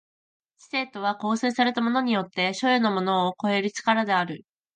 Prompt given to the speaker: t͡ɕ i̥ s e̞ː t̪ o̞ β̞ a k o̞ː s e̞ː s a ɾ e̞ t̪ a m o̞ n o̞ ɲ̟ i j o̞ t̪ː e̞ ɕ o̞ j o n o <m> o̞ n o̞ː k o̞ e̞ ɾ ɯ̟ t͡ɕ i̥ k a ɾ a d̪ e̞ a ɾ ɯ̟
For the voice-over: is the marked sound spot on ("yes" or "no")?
yes